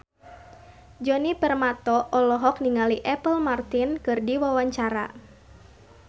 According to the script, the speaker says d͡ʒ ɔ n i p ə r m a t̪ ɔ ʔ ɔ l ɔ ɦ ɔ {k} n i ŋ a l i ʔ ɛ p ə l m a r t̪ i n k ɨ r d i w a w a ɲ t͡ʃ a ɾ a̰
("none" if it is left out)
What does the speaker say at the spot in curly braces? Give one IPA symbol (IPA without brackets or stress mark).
k